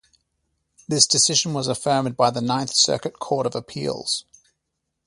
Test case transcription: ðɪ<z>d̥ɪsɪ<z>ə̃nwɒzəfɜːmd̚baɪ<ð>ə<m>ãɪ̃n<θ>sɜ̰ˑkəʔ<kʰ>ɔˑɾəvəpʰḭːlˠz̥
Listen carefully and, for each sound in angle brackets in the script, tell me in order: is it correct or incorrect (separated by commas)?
incorrect, incorrect, correct, incorrect, correct, correct